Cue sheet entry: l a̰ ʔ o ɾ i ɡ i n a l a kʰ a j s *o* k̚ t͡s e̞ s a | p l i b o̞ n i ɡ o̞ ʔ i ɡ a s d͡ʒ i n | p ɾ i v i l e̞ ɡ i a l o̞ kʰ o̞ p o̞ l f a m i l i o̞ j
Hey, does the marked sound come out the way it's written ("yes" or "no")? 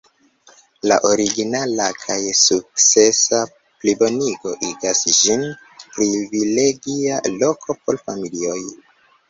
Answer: no